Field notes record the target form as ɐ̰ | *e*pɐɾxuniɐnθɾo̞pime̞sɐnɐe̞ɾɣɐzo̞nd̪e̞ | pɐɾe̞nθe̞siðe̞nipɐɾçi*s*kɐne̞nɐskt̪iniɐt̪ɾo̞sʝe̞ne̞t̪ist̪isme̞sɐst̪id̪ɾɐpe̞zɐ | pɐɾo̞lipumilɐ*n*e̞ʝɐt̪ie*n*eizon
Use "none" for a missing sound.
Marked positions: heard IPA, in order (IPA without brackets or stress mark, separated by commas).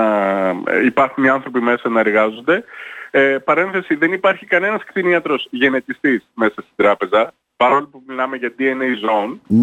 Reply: i, none, m, n